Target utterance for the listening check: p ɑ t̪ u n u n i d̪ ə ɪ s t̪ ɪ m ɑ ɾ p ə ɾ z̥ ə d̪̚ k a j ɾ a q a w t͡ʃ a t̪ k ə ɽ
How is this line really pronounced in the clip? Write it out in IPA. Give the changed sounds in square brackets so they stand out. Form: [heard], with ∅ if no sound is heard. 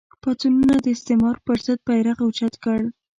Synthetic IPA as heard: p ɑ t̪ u n u n [a] d̪ ə ɪ s t̪ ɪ m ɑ ɾ p ə ɾ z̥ ə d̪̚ [p] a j ɾ a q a w t͡ʃ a t̪ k ə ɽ